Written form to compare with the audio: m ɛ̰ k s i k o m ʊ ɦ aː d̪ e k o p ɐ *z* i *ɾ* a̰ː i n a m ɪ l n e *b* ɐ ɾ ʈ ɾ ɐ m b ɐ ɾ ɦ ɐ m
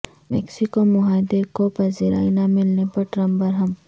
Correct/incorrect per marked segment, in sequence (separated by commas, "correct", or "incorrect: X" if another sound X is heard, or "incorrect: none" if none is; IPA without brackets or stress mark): correct, correct, incorrect: p